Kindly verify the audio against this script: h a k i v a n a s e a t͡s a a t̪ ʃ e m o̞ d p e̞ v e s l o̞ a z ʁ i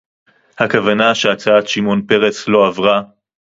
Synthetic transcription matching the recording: h a k a v a n a ʃ e a t͡s a a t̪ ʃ i m o̞ n p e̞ ʁ e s l o̞ a v ʁ a